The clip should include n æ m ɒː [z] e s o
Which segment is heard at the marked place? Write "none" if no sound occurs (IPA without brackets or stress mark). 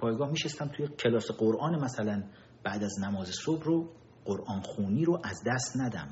z